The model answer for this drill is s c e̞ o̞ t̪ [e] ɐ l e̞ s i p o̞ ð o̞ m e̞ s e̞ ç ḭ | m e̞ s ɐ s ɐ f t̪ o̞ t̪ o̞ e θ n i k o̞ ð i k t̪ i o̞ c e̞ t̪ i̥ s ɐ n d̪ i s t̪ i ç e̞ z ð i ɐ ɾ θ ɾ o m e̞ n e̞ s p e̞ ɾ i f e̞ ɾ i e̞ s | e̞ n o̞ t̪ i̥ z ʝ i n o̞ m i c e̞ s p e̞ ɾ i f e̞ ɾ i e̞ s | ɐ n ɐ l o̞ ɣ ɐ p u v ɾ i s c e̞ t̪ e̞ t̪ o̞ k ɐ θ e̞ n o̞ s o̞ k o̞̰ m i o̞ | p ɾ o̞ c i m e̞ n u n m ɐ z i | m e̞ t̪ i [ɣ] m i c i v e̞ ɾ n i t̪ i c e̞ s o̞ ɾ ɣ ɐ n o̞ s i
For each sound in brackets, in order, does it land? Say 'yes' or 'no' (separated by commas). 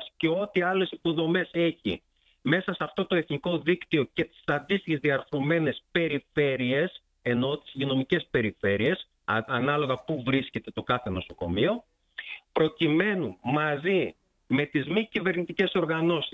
no, no